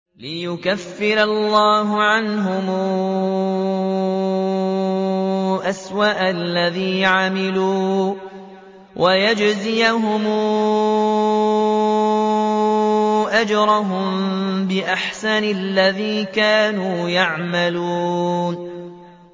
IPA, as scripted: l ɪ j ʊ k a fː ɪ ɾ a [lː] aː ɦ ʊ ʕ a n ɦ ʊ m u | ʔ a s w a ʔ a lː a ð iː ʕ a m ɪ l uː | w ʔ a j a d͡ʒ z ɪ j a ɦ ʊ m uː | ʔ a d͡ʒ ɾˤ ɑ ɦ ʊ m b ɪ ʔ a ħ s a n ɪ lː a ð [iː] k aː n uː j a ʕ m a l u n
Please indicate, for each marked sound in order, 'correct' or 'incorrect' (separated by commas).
correct, correct